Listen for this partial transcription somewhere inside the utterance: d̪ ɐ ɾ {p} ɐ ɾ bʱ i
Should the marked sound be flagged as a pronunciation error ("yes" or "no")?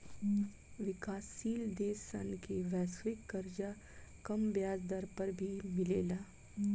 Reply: no